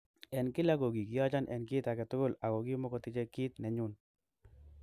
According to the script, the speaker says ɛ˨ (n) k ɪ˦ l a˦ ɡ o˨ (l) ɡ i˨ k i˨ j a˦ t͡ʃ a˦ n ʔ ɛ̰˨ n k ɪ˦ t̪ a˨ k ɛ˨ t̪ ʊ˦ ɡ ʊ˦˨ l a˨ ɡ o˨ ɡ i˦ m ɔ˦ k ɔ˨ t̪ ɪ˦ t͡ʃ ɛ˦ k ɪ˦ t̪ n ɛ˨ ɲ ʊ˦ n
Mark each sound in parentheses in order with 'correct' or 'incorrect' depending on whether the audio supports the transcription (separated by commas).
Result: correct, incorrect